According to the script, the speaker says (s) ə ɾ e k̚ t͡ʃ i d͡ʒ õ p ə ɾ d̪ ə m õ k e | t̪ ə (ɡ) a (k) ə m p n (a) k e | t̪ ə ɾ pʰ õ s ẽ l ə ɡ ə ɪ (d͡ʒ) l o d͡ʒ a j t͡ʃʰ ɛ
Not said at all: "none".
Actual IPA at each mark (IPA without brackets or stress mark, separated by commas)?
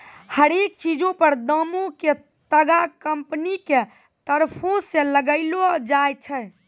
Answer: h, ɡ, k, i, none